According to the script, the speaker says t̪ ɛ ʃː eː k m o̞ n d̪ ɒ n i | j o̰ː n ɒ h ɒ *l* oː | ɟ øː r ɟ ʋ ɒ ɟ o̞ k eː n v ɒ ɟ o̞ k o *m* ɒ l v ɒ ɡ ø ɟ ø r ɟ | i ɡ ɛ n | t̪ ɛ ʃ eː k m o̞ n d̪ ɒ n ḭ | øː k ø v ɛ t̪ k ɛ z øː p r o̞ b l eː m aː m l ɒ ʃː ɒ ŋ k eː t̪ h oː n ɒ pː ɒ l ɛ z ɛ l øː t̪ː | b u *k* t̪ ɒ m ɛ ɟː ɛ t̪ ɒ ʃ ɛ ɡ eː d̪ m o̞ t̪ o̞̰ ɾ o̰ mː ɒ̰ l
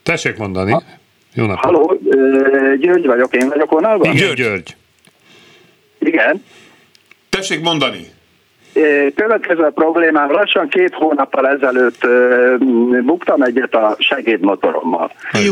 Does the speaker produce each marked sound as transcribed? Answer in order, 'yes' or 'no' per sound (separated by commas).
yes, no, yes